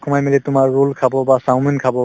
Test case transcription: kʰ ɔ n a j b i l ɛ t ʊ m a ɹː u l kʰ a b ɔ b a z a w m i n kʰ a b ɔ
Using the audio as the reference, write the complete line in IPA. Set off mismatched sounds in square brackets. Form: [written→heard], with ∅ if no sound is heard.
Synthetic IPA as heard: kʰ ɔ [n→m] a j [b→m] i l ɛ t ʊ m a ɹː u l kʰ a b ɔ b a [z→s] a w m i n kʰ a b ɔ